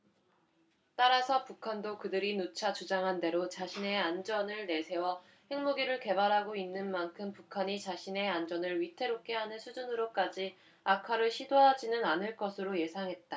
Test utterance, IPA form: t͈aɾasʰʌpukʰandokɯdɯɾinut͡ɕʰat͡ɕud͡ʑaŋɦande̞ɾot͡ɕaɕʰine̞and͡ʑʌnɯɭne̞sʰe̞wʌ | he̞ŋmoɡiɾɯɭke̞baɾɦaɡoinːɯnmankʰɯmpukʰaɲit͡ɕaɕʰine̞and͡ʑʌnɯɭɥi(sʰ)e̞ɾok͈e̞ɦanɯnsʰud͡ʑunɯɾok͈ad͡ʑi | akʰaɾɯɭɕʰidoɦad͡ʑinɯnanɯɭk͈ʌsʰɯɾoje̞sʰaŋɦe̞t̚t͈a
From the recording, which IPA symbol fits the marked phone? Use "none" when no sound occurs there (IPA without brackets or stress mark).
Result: tʰ